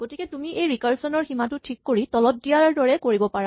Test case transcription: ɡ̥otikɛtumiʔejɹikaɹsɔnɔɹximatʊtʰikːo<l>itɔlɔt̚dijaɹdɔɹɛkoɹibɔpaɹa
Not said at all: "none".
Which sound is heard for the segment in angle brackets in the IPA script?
ɹ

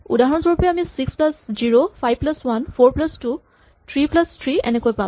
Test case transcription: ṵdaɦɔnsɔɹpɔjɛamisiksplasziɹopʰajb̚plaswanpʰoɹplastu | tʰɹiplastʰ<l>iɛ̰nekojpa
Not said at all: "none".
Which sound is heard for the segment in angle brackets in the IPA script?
ɹ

